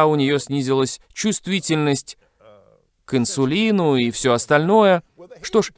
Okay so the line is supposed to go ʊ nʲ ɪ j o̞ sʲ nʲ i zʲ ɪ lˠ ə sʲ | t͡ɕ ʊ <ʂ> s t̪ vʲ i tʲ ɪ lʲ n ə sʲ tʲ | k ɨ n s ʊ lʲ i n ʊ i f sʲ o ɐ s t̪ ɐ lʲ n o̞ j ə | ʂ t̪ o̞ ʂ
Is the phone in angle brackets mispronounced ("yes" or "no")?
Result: yes